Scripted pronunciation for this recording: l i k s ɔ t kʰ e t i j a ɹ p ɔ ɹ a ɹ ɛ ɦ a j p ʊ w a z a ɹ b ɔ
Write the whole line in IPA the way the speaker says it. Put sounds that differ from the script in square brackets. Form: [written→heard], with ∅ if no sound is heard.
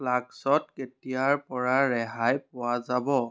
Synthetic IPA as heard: l [i→a] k s ɔ t [kʰ→k] e t i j a ɹ p ɔ ɹ a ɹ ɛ ɦ a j p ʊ w a z a [ɹ→∅] b ɔ